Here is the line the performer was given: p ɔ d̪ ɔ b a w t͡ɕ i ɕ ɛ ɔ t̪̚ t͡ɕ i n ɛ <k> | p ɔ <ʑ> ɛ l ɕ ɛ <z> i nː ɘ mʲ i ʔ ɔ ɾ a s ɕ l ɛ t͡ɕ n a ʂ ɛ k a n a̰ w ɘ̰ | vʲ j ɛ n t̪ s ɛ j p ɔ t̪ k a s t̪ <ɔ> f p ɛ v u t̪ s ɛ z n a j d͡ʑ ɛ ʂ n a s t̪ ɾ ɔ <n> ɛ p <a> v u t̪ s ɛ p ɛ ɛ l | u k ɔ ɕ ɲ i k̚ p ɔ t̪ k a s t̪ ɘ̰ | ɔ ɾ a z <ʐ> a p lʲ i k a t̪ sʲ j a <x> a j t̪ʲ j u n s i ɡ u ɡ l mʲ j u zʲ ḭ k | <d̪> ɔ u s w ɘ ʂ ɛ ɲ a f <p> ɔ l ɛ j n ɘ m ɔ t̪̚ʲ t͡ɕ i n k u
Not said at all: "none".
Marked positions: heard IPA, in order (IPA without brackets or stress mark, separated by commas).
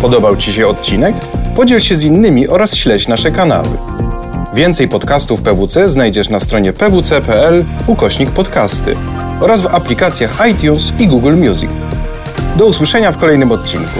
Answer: k, d͡ʑ, z, u, ɲ, ɛ, v, x, d̪, k